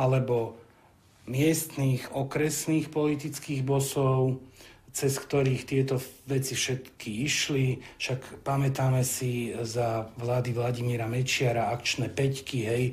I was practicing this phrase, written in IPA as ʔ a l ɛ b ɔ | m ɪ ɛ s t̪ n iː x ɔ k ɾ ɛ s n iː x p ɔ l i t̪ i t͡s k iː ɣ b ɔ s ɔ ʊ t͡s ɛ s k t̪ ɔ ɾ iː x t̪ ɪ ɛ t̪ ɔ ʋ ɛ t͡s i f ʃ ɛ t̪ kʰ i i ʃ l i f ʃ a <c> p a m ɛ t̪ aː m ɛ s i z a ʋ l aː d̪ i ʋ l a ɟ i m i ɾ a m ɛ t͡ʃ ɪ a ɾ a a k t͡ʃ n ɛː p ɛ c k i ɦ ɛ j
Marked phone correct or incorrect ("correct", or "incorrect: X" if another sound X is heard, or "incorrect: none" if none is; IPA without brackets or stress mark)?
incorrect: k